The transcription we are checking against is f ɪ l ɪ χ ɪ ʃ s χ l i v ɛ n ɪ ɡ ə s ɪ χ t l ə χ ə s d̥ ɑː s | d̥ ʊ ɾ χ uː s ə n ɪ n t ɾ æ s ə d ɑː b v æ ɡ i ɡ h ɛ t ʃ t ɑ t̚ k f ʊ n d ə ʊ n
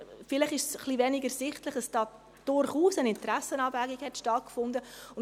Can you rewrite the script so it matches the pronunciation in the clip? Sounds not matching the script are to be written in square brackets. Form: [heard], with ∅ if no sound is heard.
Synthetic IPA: f ɪ l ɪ χ ɪ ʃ s χ l i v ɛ n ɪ ɡ ə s ɪ χ t l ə χ ə s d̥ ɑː [∅] | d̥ ʊ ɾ χ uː s ə n ɪ n t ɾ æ s ə [n] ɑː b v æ ɡ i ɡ h ɛ t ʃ t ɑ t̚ k f ʊ n d ə ʊ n